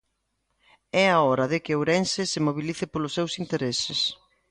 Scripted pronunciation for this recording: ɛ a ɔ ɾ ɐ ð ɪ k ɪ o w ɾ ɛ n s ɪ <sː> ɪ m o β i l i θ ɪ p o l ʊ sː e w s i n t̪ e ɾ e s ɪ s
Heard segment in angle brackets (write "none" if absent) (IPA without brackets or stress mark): s